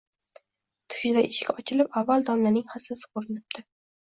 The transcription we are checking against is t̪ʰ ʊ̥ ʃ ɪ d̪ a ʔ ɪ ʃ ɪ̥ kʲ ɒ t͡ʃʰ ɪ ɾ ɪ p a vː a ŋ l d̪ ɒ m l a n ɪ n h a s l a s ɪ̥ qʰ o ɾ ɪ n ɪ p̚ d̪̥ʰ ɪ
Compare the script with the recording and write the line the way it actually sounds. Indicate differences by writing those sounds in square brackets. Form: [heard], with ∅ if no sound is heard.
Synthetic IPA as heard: t̪ʰ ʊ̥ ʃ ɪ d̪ a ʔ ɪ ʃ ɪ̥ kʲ ɒ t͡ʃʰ ɪ [l] ɪ p a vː a [∅] l d̪ ɒ m l a n ɪ [ŋ] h a s l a s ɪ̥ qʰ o ɾ ɪ n ɪ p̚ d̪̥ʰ ɪ